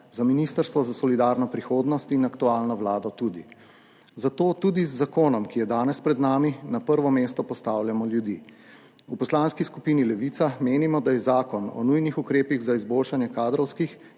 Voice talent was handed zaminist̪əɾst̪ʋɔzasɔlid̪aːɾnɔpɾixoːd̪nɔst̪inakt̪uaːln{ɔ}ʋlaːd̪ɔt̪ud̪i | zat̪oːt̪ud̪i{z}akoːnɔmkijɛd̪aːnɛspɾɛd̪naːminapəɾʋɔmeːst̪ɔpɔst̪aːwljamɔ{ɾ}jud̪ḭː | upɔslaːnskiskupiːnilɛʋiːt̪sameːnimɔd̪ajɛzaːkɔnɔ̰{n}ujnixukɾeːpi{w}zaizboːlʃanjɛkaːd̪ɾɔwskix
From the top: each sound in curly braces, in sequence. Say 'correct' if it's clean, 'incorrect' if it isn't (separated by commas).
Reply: correct, incorrect, incorrect, correct, incorrect